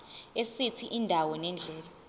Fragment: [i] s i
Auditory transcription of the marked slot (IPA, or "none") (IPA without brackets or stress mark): e